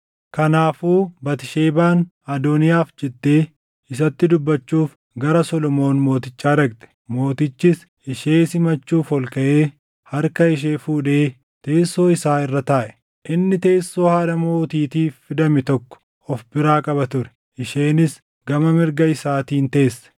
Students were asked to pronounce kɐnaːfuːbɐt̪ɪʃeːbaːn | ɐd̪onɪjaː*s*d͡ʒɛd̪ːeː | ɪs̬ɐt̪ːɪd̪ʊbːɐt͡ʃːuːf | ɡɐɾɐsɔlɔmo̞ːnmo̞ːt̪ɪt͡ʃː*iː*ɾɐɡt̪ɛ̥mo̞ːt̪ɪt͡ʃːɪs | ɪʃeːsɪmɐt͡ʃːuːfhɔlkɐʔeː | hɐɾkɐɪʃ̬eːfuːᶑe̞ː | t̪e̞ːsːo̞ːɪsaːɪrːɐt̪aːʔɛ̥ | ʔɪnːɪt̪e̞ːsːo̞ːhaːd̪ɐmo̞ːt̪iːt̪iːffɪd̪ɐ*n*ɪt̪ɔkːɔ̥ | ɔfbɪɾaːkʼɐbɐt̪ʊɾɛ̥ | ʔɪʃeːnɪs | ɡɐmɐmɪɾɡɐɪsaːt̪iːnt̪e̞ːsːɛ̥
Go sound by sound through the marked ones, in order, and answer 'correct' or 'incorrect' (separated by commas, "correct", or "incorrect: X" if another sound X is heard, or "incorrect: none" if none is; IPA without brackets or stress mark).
incorrect: f, incorrect: aː, incorrect: m